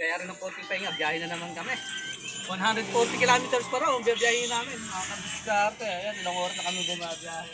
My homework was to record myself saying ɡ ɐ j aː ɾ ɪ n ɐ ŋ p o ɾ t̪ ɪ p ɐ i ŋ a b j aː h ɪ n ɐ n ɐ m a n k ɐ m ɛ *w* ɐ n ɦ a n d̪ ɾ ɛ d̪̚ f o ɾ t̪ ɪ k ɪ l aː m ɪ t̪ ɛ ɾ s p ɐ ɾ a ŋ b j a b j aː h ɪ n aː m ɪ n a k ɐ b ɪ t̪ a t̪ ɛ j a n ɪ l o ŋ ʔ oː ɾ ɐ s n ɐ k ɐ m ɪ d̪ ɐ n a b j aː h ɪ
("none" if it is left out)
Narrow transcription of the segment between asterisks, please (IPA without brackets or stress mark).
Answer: w